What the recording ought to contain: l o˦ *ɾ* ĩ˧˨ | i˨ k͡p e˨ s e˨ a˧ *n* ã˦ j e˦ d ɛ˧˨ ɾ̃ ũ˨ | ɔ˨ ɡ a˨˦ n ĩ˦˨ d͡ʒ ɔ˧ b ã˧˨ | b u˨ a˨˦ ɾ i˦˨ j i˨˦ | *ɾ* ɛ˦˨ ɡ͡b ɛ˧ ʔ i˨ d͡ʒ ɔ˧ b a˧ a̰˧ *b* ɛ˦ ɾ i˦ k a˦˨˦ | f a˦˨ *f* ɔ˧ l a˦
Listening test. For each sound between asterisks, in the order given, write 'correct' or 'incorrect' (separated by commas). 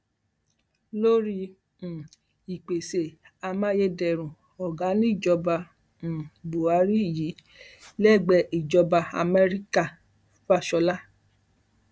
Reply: correct, incorrect, incorrect, incorrect, incorrect